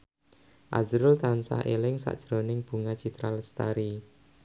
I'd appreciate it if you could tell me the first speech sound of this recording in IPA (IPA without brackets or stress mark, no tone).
ʔ